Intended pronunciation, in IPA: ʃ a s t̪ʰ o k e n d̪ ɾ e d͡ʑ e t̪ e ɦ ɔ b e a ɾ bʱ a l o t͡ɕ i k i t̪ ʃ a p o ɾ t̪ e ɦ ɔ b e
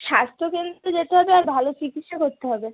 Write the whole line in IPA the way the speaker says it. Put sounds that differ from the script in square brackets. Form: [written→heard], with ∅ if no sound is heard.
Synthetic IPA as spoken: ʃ a s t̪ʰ o k e n d̪ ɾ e d͡ʑ e t̪ e ɦ ɔ b e a ɾ bʱ a l o t͡ɕ i k i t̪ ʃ a [p→k] o ɾ t̪ e ɦ ɔ b e